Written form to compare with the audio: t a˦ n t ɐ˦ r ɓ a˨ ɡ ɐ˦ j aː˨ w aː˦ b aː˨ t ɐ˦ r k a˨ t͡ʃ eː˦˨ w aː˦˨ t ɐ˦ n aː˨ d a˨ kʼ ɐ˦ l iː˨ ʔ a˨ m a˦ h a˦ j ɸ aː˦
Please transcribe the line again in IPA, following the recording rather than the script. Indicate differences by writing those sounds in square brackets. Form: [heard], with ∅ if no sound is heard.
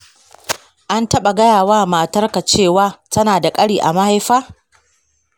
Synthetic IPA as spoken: [ʔ] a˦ n t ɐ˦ [∅] ɓ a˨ ɡ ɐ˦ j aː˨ w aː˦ [m] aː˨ t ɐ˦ r k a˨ t͡ʃ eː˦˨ w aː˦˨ t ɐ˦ n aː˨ d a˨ kʼ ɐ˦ [ɽ] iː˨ ʔ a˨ m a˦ h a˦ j ɸ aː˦